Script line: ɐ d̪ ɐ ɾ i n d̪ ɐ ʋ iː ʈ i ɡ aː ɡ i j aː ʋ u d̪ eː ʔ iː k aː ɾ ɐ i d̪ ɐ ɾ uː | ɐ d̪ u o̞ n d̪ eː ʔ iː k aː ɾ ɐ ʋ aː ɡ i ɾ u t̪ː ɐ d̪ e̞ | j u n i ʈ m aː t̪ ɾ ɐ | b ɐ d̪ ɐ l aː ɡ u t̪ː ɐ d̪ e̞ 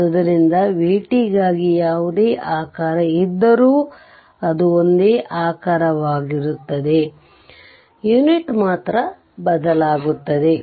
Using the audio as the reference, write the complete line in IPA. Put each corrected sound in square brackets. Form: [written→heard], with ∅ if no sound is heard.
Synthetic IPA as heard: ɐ d̪ ɐ ɾ i n d̪ ɐ ʋ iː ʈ i ɡ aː ɡ i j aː ʋ u d̪ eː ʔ [iː→aː] k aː ɾ ɐ i [d̪→d̪ː] ɐ ɾ uː | ɐ d̪ u o̞ n d̪ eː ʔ [iː→aː] k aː ɾ ɐ ʋ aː ɡ i ɾ u t̪ː ɐ d̪ e̞ | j u n i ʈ m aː t̪ ɾ ɐ | b ɐ d̪ ɐ l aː ɡ u t̪ː ɐ d̪ e̞